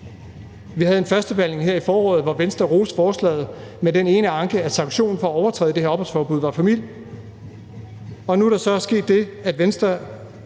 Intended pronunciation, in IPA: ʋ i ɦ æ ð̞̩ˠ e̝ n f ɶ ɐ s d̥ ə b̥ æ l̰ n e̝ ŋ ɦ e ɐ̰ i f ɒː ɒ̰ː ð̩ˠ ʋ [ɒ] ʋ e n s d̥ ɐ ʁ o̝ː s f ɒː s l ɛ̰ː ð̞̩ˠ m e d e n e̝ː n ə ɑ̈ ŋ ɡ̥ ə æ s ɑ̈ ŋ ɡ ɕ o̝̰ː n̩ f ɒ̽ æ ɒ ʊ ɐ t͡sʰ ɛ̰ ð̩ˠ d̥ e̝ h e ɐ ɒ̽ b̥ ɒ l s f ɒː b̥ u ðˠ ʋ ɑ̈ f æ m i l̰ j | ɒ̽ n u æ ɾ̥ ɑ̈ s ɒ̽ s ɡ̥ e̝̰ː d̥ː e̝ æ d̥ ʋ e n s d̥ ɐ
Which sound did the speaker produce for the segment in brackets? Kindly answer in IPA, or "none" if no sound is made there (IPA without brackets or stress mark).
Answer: ɒ